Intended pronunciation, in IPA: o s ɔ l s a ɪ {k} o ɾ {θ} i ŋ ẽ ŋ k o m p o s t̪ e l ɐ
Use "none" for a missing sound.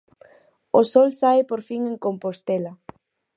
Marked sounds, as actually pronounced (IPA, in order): p, f

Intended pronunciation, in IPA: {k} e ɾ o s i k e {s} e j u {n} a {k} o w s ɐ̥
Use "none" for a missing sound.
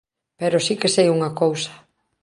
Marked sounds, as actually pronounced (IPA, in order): p, s, ŋ, k

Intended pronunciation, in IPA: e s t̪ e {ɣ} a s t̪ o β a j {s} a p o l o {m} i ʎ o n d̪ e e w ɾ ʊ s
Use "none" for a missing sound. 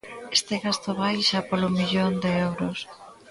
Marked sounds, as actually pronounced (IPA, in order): ɣ, ʃ, m

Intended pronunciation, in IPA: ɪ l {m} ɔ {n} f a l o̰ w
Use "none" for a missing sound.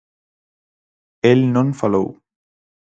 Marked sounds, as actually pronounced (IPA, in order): n, n

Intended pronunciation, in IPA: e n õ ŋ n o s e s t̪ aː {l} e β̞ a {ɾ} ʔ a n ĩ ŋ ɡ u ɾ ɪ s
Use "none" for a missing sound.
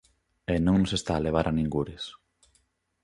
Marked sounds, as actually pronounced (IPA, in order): l, ɾ

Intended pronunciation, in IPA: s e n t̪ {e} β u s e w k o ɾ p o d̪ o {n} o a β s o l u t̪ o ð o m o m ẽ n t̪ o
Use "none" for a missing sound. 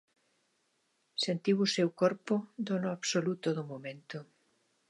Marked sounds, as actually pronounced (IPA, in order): i, n

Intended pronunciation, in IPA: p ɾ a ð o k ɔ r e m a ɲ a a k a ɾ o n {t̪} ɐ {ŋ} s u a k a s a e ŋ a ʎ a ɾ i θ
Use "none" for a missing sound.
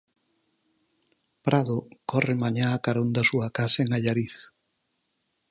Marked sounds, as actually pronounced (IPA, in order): d̪, none

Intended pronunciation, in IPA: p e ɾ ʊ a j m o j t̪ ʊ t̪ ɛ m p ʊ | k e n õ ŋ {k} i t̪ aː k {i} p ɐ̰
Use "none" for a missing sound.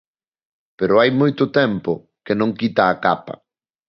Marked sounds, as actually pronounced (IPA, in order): k, a

